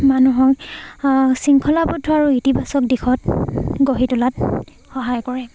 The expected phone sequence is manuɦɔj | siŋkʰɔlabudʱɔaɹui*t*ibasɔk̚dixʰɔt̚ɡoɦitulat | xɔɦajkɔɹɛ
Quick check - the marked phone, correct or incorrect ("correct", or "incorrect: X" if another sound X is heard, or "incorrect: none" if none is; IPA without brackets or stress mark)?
correct